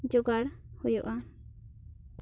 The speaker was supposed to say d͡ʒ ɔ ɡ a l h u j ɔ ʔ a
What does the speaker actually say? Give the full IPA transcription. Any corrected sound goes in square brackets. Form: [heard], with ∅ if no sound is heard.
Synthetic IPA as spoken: d͡ʒ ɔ ɡ a [ɽ] h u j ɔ ʔ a